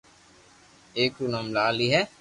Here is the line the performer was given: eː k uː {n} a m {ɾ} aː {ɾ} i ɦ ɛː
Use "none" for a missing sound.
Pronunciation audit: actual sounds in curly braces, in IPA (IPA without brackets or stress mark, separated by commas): n, l, l